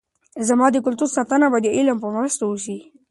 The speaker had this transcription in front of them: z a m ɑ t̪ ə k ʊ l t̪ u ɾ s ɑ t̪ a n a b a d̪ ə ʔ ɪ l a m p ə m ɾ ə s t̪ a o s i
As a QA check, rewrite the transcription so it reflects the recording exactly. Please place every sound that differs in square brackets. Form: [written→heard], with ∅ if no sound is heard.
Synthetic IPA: z a m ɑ [t̪→d̪] ə k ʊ l t̪ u ɾ s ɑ t̪ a n a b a d̪ ə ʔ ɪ l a m p ə m ɾ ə s t̪ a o [s→ʃ] i